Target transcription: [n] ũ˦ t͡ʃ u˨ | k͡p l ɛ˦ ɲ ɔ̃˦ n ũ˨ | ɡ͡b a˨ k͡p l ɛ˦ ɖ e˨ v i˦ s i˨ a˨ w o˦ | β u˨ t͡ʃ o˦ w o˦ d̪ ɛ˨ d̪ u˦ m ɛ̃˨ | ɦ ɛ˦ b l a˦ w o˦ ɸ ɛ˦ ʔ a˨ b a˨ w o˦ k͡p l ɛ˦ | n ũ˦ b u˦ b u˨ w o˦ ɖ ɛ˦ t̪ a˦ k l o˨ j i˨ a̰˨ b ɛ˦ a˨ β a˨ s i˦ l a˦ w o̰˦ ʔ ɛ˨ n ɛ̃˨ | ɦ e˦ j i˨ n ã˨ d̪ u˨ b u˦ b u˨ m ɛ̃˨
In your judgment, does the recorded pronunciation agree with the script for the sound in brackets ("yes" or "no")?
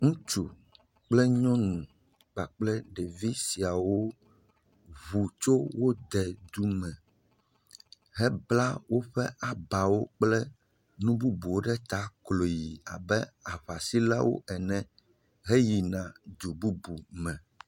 no